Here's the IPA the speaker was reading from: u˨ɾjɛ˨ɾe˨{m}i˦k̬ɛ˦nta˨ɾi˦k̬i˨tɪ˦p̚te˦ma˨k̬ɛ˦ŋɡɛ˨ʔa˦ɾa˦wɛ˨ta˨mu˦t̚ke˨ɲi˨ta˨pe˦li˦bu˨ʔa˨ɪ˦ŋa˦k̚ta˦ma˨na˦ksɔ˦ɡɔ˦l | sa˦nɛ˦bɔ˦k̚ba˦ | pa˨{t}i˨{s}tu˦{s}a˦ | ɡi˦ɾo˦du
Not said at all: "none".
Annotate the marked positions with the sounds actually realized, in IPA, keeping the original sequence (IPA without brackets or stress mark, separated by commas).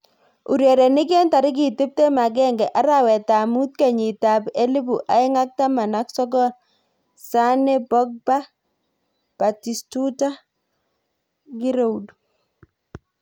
n, t, s, t